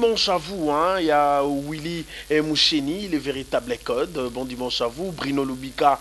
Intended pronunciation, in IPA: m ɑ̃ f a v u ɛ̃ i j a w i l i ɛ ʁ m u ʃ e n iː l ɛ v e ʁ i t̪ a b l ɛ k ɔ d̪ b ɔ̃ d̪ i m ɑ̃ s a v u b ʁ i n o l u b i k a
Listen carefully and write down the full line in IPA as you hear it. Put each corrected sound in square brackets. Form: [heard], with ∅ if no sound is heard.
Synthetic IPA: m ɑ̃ [ʃ] a v u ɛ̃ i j a w i l i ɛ [∅] m u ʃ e n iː l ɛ v e ʁ i t̪ a b l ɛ k ɔ d̪ b ɔ̃ d̪ i m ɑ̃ [ʃ] a v u b ʁ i n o l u b i k a